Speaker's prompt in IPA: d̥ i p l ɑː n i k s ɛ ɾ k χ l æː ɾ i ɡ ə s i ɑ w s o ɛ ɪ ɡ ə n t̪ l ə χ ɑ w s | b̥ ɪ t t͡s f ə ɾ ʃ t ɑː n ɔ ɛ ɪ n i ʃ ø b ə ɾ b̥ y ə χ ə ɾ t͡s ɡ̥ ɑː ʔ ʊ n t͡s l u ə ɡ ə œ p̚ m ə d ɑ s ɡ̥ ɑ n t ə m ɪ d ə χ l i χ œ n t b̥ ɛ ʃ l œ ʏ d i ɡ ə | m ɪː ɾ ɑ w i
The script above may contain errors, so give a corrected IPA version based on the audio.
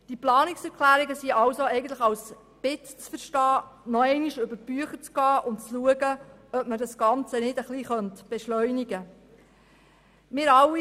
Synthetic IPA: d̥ i p l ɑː n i k s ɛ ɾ k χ l æː ɾ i ɡ ə s i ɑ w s o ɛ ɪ ɡ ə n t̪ l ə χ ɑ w s | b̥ ɪ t t͡s f ə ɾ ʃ t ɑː n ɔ ɛ ɪ n i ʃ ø b ə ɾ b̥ y ə χ ə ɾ t͡s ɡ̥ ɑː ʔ ʊ n t͡s l u ə ɡ ə œ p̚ m ə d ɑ s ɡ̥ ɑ n t͡s ə n ɪ d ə χ l i χ œ n t b̥ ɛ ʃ l œ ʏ n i ɡ ə | m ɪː ɾ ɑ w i